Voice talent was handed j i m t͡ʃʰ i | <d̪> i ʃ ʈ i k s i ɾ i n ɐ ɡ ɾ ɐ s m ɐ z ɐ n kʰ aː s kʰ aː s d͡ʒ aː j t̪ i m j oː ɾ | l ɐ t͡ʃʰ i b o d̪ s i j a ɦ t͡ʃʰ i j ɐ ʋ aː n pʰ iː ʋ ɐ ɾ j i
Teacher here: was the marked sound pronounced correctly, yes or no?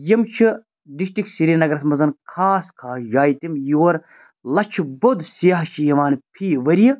yes